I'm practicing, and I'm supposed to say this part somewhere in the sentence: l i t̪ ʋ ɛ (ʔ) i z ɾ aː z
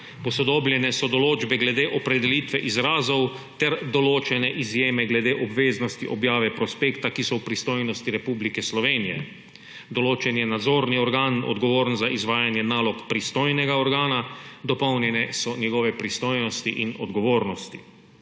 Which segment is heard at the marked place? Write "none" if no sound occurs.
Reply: ʔ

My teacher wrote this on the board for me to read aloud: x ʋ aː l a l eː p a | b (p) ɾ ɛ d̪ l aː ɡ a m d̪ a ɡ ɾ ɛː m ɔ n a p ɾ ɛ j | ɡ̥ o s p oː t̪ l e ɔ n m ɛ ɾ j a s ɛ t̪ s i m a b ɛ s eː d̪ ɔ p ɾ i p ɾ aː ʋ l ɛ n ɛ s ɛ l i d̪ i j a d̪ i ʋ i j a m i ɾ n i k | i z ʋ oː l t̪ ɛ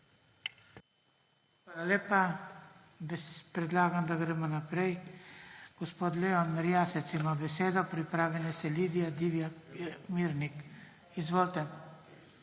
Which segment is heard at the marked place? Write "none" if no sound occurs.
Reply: p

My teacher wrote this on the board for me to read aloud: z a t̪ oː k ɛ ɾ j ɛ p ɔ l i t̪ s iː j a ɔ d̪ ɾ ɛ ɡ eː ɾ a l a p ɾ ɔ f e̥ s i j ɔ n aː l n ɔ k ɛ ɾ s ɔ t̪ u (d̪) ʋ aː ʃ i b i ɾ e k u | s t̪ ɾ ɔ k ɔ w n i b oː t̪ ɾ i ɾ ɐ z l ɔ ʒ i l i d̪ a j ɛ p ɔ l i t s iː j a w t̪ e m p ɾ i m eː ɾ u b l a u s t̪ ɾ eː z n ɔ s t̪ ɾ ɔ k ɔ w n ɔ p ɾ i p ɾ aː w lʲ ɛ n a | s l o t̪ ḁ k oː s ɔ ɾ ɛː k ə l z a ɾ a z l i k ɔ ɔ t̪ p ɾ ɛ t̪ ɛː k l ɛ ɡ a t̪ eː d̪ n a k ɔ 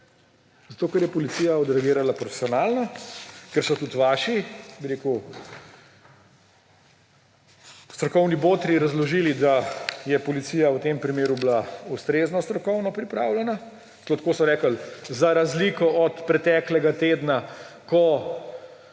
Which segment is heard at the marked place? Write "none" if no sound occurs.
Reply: t̪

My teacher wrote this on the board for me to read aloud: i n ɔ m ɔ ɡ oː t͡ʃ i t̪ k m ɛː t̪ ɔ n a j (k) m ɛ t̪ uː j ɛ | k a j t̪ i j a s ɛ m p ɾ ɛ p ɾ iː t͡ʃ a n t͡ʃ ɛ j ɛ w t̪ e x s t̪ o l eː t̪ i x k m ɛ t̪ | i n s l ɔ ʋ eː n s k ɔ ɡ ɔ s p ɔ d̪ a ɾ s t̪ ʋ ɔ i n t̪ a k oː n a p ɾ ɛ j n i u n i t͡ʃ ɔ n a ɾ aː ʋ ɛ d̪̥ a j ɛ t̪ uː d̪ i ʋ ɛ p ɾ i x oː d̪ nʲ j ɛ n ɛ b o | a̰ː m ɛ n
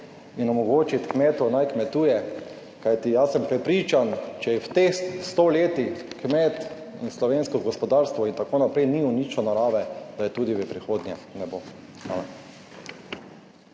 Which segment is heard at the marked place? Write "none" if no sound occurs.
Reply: k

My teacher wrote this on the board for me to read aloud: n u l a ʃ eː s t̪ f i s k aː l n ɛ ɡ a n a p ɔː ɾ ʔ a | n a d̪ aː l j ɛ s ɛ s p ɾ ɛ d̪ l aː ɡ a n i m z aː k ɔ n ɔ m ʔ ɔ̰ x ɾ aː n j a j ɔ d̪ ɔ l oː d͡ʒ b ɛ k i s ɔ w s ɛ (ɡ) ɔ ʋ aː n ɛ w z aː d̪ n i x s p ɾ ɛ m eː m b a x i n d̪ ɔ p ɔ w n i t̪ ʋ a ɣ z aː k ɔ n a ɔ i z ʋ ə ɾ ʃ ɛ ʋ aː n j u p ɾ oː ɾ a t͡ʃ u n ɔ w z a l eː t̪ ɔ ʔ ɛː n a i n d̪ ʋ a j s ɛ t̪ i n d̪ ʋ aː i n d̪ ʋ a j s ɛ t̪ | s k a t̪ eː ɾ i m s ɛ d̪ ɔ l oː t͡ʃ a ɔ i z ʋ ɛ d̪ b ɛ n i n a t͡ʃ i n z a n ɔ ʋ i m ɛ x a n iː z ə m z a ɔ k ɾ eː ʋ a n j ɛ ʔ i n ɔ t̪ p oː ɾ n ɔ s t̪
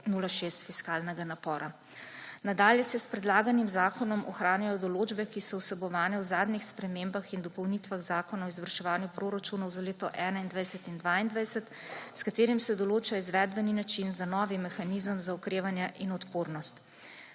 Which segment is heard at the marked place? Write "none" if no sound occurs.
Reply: b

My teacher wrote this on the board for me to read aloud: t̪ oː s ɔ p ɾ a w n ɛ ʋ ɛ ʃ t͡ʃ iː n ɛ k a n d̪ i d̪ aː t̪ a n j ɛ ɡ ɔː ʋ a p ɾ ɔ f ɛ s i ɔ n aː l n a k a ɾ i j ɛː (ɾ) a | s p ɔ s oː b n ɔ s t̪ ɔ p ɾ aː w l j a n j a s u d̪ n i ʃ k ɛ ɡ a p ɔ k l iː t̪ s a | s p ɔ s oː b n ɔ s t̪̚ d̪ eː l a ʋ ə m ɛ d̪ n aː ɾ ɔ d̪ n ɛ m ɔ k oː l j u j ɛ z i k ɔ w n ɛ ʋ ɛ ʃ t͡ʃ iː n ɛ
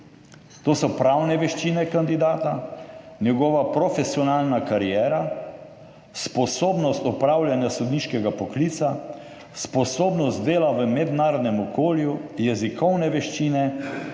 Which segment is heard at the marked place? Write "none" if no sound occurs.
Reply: ɾ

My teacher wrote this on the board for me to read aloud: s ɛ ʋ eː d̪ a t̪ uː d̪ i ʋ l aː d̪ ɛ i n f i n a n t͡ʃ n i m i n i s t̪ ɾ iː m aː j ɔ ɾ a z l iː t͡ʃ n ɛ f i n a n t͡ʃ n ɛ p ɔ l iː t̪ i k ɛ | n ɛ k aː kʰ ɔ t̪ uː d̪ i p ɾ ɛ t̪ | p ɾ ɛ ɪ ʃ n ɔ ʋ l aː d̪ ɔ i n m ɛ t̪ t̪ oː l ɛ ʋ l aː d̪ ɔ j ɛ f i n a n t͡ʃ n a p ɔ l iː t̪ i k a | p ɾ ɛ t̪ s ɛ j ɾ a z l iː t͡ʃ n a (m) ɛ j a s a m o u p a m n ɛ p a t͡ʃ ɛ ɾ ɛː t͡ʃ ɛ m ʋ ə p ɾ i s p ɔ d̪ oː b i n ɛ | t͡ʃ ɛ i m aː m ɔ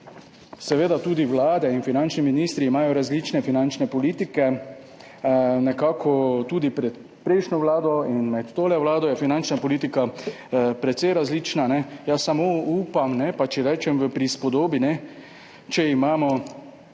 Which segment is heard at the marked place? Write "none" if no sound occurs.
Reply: n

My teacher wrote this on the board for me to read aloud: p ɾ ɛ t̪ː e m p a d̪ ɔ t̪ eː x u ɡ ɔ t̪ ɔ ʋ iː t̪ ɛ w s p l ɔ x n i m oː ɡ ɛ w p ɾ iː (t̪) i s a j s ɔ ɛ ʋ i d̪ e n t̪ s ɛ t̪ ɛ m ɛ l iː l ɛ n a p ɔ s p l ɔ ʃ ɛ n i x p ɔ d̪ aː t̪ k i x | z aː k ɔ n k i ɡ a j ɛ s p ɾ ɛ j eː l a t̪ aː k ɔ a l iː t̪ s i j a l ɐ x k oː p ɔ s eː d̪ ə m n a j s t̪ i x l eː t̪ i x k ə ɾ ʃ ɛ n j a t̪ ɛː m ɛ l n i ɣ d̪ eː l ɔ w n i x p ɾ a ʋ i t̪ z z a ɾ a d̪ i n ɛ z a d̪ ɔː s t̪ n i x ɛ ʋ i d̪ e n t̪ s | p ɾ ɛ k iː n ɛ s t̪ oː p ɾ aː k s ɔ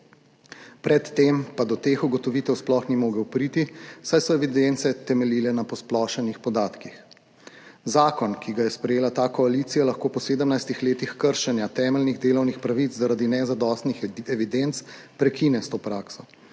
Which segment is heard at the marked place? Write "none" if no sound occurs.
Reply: t̪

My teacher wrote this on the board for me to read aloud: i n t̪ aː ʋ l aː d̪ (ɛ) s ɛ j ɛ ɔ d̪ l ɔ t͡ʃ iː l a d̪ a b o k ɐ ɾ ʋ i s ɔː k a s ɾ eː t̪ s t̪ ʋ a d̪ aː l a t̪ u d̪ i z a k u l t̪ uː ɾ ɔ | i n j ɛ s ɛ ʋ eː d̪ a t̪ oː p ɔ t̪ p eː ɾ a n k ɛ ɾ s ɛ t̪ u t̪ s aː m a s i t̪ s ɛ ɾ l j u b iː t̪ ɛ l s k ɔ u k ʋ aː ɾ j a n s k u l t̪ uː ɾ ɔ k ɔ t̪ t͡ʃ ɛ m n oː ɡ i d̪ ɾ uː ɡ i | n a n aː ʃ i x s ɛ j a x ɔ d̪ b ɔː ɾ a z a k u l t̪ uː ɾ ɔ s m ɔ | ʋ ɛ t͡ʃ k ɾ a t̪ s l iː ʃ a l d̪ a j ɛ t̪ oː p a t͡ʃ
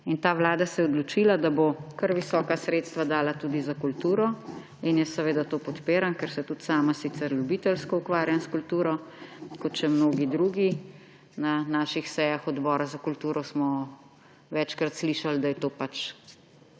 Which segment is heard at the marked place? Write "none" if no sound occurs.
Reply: a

